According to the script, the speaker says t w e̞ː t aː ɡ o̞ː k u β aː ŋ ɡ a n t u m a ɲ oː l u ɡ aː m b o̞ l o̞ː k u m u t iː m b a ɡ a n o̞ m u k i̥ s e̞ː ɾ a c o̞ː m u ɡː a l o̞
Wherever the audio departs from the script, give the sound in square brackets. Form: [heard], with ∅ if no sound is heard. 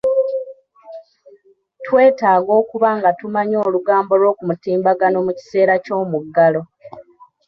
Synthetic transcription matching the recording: t w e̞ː t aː ɡ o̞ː k u β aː ŋ ɡ a [∅] t u m a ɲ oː l u ɡ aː m b o̞ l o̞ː k u m u t iː m b a ɡ a n o̞ m u [c] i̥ s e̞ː ɾ a c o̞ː m u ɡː a l o̞